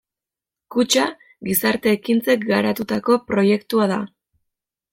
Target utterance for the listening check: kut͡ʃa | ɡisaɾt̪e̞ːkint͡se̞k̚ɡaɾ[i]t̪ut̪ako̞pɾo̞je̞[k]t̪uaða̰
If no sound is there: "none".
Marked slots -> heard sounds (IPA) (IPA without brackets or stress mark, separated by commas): a, k